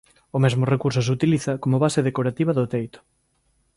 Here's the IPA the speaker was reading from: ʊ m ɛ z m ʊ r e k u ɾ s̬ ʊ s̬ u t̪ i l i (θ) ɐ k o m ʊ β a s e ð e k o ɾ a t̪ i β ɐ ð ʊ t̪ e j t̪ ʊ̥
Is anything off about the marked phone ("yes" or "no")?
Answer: no